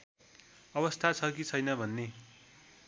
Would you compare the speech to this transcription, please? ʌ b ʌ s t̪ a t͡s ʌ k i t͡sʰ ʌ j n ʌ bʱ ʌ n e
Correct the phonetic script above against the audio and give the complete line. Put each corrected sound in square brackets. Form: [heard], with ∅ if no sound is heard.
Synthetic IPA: ʌ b ʌ s [t̪ʰ] a [t͡sʰ] ʌ k i t͡sʰ ʌ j n ʌ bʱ ʌ [nː] e